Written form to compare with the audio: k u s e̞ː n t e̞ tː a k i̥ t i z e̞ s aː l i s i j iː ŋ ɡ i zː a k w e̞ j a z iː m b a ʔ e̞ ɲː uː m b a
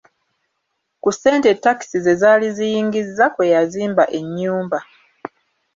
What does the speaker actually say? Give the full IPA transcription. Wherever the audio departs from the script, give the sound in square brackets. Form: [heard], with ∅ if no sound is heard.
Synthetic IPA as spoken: k u s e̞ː n t e̞ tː a k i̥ [s] i z e̞ [z] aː l i [z] i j iː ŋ ɡ i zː a k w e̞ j a z iː m b a ʔ e̞ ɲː uː m b a